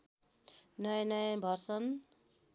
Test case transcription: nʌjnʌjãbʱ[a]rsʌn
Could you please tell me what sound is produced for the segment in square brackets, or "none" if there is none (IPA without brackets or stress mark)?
ʌ